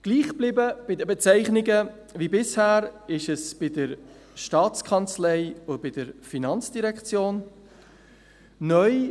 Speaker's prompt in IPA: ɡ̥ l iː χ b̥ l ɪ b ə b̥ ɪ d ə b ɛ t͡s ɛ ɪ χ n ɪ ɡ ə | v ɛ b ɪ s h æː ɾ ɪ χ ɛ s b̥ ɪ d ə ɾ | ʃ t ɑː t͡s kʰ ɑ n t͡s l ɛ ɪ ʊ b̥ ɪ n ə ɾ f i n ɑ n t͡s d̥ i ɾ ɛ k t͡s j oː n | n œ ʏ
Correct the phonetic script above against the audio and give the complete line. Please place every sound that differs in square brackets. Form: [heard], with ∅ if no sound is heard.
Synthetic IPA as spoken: ɡ̥ l iː χ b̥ l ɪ b ə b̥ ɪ d ə b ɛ t͡s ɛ ɪ χ n ɪ ɡ ə | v [i] b ɪ s h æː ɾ ɪ [ʃ] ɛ s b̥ ɪ d ə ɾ | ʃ t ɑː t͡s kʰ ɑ n t͡s l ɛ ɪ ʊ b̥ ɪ [d] ə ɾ f i n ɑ n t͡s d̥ i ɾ ɛ k t͡s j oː n | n œ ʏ